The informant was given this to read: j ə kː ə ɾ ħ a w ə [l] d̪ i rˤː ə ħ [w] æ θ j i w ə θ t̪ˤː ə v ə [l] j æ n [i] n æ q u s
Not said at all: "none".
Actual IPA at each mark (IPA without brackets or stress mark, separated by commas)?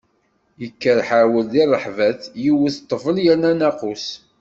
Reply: l, v, l, æ